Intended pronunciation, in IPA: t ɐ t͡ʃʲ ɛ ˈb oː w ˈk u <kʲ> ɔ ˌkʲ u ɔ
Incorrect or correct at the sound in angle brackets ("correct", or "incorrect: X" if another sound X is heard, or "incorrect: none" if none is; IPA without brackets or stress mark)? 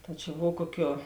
incorrect: none